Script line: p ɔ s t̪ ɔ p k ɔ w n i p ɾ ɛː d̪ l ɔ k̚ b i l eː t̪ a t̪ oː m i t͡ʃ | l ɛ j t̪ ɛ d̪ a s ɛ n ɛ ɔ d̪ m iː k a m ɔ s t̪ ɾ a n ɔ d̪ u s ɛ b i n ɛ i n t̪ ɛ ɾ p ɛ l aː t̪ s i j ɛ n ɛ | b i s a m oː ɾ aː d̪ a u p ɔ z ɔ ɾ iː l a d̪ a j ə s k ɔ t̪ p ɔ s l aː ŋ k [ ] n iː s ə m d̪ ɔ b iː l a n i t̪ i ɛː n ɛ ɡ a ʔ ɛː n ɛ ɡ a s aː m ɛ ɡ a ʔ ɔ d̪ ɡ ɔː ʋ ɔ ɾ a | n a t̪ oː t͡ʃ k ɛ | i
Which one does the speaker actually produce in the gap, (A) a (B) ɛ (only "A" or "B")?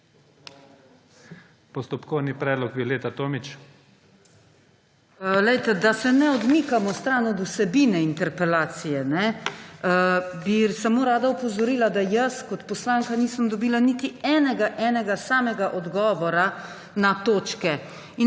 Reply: A